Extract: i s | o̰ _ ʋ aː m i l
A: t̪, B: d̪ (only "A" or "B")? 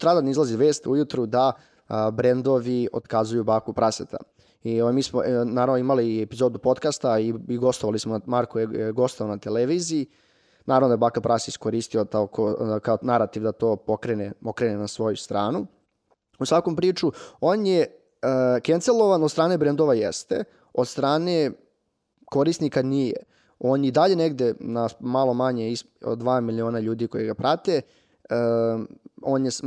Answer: B